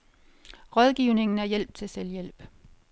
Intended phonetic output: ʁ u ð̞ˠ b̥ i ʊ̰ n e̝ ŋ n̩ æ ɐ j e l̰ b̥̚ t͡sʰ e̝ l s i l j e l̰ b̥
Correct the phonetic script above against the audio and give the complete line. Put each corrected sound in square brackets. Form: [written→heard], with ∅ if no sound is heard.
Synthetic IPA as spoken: ʁ [u→ɒ] ð̞ˠ [b̥→ɡ̥] i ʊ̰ n e̝ ŋ n̩ æ ɐ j e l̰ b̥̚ t͡sʰ e̝ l s [i→e] l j e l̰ b̥